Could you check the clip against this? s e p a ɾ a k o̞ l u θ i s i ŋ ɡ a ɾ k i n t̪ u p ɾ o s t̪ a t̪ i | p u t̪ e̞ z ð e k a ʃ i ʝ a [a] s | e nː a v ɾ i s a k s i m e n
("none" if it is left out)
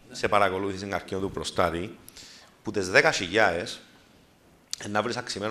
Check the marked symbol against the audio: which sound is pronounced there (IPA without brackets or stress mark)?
e